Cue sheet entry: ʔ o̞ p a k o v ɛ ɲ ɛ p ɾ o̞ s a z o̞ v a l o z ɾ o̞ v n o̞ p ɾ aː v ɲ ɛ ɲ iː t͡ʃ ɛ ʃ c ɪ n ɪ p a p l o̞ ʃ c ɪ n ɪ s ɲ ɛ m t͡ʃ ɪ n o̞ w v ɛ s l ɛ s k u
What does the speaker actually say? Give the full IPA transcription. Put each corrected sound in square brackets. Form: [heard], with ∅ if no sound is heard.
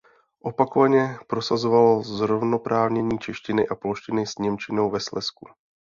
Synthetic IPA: ʔ o̞ p a k o v [a] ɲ ɛ p ɾ o̞ s a z o̞ v a l o z ɾ o̞ v n o̞ p ɾ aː v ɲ ɛ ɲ iː t͡ʃ ɛ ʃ c ɪ n ɪ [ʔ] a p l o̞ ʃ c ɪ n ɪ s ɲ ɛ m t͡ʃ ɪ n o̞ w v ɛ s l ɛ s k u